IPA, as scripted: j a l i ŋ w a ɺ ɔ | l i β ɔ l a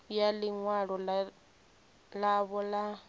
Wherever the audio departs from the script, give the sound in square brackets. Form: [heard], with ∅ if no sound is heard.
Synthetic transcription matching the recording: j a l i ŋ w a ɺ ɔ | l [a] β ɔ l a